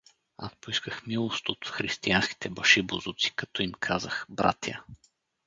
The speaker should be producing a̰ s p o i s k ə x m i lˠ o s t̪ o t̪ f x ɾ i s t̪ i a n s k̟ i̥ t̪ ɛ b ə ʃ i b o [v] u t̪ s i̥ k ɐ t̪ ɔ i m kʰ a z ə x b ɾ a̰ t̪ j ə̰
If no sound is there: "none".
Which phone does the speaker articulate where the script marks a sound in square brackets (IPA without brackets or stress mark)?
z